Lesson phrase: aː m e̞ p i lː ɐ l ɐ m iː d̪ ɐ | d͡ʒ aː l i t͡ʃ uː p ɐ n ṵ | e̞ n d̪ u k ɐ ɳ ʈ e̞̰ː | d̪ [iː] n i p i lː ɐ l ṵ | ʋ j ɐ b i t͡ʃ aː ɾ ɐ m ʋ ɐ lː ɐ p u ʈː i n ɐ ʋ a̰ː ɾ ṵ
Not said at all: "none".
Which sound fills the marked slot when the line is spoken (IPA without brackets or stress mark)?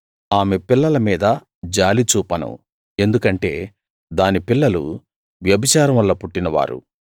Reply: aː